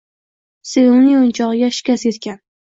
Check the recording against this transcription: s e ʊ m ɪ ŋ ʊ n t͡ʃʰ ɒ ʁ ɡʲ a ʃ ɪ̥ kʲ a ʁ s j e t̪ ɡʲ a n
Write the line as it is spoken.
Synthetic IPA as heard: s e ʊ n ɪ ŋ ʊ n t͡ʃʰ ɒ ʁ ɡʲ a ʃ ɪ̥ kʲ a s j e t̪ kʲ a n